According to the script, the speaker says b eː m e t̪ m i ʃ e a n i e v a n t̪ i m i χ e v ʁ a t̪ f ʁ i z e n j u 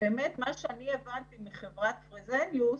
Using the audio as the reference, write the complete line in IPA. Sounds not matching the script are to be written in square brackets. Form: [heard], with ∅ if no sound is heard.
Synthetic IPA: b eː m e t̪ m [a] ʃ e a n i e v a n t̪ i m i χ e v ʁ a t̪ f ʁ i z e n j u